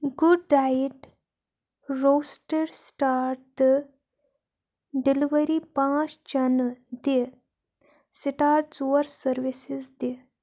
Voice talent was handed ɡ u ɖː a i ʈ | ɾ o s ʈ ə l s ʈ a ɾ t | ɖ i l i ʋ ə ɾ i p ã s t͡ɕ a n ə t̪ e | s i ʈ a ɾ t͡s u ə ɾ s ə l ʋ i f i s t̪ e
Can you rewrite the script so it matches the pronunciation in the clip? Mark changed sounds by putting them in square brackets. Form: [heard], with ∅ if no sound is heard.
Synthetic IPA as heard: ɡ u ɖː a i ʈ | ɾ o s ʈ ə [ɾ] s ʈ a ɾ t | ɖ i l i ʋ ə ɾ i p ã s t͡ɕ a n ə [d̪] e | s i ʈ a ɾ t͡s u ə ɾ s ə [ɾ] ʋ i [s] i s [d̪] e